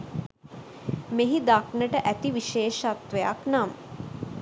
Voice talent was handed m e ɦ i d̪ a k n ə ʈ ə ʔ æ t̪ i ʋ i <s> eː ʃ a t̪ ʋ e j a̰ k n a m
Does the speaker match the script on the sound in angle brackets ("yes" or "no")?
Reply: no